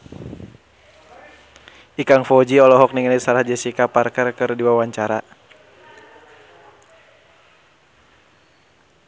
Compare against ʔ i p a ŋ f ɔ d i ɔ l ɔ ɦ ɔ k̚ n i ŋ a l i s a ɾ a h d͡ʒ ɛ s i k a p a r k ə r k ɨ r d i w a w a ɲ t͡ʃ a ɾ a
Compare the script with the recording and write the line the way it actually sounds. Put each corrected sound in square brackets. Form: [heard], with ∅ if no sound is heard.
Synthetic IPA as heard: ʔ i [k] a ŋ f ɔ [d͡ʒ] i ɔ l ɔ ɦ ɔ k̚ n i ŋ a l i s a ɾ a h d͡ʒ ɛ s i k a p a r k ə r k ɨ r d i w a w a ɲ t͡ʃ a ɾ a